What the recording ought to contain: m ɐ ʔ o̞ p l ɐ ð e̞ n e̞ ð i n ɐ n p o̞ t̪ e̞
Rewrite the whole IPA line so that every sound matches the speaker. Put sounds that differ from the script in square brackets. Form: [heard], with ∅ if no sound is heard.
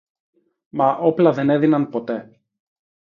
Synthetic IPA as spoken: m ɐ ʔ o̞ p l ɐ ð e̞ n e̞ ð i n ɐ n p o̞ t̪ e̞